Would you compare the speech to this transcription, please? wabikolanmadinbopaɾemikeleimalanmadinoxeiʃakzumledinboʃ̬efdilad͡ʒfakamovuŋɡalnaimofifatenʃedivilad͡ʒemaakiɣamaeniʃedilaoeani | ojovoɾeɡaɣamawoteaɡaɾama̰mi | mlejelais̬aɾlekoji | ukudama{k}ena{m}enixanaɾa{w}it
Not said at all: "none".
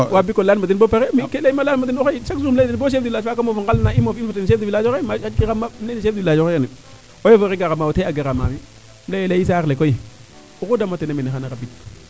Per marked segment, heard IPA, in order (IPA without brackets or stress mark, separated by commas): t, m, b